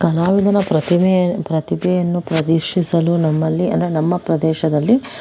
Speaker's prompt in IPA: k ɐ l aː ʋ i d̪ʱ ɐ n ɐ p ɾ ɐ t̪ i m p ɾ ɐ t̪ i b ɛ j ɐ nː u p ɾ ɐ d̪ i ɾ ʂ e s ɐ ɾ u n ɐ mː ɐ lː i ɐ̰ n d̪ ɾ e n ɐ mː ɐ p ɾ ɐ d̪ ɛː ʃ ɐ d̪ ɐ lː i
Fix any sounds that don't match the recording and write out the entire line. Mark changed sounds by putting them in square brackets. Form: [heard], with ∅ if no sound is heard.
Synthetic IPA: k ɐ l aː ʋ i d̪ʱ ɐ n ɐ p ɾ ɐ t̪ i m p ɾ ɐ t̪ i b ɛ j ɐ nː u p ɾ ɐ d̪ i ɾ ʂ [i] s ɐ [l] u n ɐ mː ɐ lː i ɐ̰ n d̪ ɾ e n ɐ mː ɐ p ɾ ɐ d̪ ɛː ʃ ɐ d̪ ɐ lː i